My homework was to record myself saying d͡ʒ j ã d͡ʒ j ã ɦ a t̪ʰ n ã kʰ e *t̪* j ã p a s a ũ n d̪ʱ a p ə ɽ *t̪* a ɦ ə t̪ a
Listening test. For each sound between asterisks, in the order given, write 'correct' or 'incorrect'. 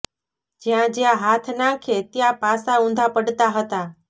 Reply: correct, correct

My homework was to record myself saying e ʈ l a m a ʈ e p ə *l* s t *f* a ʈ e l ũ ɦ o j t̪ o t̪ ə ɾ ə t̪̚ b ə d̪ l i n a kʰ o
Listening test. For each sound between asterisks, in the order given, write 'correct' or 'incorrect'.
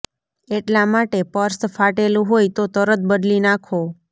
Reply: incorrect, correct

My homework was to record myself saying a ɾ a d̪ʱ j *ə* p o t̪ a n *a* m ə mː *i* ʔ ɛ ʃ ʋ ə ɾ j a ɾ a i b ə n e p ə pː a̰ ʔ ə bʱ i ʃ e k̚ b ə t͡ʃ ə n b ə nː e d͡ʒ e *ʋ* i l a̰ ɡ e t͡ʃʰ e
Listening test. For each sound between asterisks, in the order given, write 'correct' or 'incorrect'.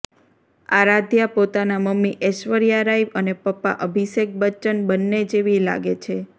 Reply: incorrect, correct, correct, correct

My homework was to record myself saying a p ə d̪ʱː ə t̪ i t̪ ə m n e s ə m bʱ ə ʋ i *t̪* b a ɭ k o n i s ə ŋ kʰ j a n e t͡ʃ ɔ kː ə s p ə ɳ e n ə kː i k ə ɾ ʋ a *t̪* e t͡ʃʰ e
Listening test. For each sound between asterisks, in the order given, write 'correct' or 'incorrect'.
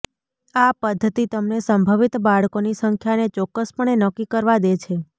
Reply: correct, incorrect

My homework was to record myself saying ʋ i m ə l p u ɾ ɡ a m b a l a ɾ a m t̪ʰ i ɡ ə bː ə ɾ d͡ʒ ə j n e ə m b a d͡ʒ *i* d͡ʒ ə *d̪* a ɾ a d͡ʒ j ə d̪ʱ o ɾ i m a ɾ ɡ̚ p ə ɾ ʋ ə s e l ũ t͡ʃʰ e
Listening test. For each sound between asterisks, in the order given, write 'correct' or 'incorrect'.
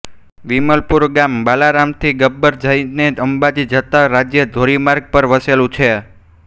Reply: correct, incorrect

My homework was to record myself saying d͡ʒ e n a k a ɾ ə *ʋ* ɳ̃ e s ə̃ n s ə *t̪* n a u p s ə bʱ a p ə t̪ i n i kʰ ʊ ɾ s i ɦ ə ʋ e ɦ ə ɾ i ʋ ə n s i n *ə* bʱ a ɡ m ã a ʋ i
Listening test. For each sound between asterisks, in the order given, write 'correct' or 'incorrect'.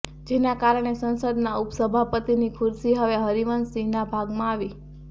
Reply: incorrect, incorrect, incorrect

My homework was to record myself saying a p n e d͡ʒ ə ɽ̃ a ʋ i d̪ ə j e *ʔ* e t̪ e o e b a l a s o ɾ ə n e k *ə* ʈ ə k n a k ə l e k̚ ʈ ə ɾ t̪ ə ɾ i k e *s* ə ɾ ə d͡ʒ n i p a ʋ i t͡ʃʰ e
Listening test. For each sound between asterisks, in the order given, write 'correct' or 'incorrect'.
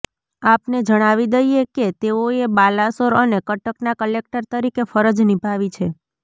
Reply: incorrect, correct, incorrect

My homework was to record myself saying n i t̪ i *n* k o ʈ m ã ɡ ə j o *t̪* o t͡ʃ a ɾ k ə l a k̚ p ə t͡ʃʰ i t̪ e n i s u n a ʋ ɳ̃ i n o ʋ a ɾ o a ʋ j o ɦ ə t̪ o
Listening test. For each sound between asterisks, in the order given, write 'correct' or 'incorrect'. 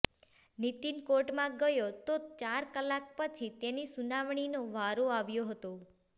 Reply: correct, correct

